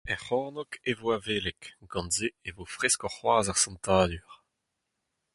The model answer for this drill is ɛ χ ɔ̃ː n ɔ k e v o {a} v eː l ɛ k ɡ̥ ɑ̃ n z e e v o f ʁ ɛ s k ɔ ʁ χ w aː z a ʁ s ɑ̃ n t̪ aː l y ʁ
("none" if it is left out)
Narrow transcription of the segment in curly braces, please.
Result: a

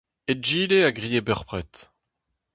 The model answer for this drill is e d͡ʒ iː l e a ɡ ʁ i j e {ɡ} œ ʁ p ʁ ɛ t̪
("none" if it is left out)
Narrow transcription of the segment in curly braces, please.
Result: b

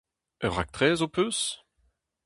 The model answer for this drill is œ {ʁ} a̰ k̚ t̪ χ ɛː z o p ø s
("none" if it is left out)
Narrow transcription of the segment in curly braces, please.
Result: ʁ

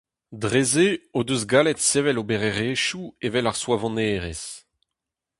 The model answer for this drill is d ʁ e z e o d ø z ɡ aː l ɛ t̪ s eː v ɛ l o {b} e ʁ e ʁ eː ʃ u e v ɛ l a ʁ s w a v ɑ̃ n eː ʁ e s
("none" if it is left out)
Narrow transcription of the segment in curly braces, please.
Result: b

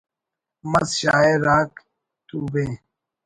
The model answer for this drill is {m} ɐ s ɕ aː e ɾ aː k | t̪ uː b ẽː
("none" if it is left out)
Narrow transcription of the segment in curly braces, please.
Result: m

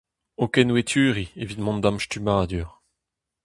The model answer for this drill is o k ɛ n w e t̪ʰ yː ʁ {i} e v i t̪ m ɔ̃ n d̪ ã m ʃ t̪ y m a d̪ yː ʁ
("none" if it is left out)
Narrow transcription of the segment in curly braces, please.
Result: i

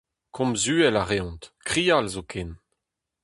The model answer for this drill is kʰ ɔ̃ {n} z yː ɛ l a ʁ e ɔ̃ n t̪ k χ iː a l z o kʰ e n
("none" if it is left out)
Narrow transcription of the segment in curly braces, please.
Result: m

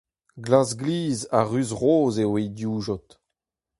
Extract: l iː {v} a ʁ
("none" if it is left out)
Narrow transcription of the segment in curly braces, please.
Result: z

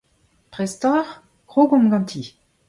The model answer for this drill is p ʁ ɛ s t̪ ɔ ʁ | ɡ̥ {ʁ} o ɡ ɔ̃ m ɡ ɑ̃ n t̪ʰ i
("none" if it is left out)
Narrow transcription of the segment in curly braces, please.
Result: ʁ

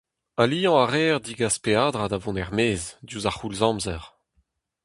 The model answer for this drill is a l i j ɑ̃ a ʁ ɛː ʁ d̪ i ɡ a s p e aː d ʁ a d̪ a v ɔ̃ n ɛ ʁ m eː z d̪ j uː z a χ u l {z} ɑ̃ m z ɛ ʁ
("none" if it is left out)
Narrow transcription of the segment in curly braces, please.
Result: z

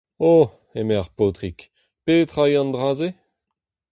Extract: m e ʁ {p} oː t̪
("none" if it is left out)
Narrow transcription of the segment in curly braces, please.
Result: p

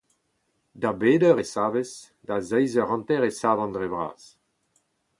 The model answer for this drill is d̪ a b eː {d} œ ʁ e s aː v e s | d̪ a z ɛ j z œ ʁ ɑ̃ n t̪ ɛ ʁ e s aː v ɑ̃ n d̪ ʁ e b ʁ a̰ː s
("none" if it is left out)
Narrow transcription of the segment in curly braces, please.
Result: d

